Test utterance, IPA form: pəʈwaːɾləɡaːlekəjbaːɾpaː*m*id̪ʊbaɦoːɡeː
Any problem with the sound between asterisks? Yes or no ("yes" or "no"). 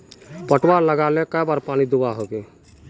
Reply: yes